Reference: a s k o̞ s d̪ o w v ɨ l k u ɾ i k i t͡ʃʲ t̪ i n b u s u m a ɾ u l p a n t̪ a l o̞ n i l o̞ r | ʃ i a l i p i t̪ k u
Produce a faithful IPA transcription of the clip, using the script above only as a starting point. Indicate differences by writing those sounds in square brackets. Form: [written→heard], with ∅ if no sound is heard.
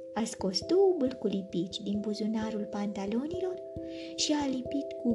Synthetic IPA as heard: a s k o̞ s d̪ o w [v→b] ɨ l k u [ɾ→l] i [k→p] i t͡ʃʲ [t̪→d̪] i n b u [s→z] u [m→n] a ɾ u l p a n t̪ a l o̞ n i l o̞ r | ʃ i a l i p i t̪ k u